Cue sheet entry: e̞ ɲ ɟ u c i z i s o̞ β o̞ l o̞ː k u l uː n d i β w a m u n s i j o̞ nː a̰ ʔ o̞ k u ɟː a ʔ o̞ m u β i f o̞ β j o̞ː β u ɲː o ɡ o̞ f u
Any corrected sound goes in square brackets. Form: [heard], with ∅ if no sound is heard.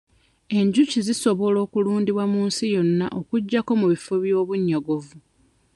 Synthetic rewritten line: e̞ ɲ ɟ u c i z i s o̞ β o̞ l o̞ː k u l uː n d i β w a m [uː] n s i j o̞ nː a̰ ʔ o̞ k u ɟː a [k] o̞ m u β i f o̞ β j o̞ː β u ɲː o ɡ o̞ [v] u